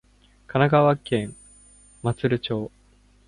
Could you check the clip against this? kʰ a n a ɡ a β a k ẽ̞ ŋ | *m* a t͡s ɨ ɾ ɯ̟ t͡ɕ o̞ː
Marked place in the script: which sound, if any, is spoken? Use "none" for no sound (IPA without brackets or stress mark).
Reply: m